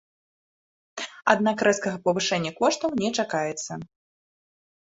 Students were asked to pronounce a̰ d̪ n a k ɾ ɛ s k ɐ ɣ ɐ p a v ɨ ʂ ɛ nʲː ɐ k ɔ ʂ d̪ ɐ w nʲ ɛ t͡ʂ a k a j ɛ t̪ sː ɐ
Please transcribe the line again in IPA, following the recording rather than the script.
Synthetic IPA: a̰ d̪ n a k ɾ ɛ s k ɐ ɣ ɐ p ɐ v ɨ ʂ ɛ nʲː ɐ k ɔ ʂ t̪ ɐ w nʲ ɛ t͡ʂ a k a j ɛ t̪ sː ɐ

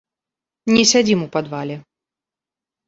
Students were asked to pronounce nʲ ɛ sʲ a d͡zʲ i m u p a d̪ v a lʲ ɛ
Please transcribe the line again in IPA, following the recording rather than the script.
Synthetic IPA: nʲ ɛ sʲ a d͡zʲ i m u p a d̪ v a lʲ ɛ

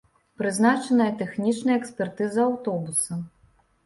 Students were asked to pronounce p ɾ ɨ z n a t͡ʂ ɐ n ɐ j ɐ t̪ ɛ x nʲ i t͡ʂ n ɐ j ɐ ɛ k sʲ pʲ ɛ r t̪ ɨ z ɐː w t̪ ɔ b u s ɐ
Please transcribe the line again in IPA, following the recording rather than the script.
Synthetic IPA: p ɾ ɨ z n a t͡ʂ ɐ n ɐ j ɐ t̪ ɛ x nʲ i t͡ʂ n ɐ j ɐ ɛ k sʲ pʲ ɛ r t̪ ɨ z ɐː w t̪ ɔ b u s ɐ

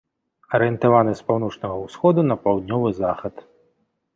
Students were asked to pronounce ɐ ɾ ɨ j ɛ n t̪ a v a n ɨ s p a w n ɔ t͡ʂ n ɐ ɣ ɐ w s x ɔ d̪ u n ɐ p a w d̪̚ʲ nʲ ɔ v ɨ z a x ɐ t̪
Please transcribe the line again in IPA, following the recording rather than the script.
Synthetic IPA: ɐ ɾ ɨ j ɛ n t̪ a v a n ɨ s p a w n ɔ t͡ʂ n ɐ ɣ ɐ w s x ɔ d̪ u n ɐ p a w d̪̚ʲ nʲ ɔ v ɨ z a x ɐ t̪

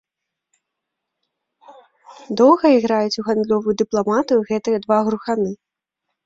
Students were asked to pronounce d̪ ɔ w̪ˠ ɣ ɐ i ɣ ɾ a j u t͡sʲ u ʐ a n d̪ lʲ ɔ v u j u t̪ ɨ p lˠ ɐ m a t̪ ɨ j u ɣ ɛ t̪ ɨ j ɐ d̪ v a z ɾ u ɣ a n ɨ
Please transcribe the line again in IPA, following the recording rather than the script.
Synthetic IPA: d̪ ɔ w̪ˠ ɣ ɐ i ɣ ɾ a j u t͡sʲ u ɣ a n d̪ lʲ ɔ v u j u d̪ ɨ p lˠ a m a t̪ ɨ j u ɣ ɛ t̪ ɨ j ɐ d̪ v a ɣ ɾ u x a n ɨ

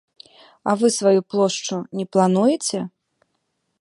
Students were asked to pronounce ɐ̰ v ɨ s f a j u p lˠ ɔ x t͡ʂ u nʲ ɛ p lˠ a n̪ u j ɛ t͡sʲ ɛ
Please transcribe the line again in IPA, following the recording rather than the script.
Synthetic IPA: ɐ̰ v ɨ s v a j u p lˠ ɔ ʂ t͡ʂ u nʲ ɛ p lˠ a n̪ u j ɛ t͡sʲ ɛ

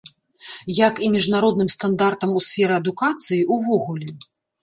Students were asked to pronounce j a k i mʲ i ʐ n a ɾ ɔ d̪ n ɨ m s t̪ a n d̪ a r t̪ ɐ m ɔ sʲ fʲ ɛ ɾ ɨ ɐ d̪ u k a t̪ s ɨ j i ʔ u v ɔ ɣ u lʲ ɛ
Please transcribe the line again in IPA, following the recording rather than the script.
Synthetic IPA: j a k i mʲ i ʐ n a ɾ ɔ d̪ n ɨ m s t̪ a n d̪ a r t̪ ɐ m u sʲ fʲ ɛ ɾ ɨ ɐ d̪ u k a t̪ s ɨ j i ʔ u v ɔ ɣ u lʲ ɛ

